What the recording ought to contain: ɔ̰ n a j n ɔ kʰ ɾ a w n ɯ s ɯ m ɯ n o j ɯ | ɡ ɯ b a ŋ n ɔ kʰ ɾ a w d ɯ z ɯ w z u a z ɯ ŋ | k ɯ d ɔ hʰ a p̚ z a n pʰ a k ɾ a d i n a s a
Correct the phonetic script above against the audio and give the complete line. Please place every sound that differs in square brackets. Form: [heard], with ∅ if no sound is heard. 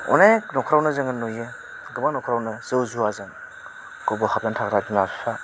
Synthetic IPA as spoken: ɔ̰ n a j n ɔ kʰ ɾ a w n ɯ [z] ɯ [ŋ] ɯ n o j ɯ | ɡ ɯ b a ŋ n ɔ kʰ ɾ a w [n] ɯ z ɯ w z u a z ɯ ŋ | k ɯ [b] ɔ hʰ a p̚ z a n [tʰ] a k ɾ a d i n a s a